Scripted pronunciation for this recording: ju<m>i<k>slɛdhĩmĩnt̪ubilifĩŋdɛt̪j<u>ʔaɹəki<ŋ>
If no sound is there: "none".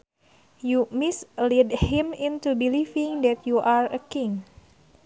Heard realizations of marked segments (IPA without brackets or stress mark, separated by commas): m, none, u, ŋ